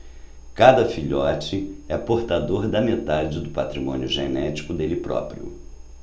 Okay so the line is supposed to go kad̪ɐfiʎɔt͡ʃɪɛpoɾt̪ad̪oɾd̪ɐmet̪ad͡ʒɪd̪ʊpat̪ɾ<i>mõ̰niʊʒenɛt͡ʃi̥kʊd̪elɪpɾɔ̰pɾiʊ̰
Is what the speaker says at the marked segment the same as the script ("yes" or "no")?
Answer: yes